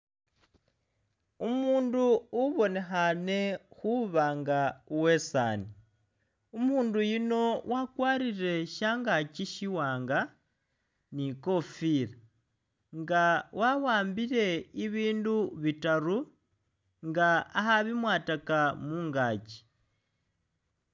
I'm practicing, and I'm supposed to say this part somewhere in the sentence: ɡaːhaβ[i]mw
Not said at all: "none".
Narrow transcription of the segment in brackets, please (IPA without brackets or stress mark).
i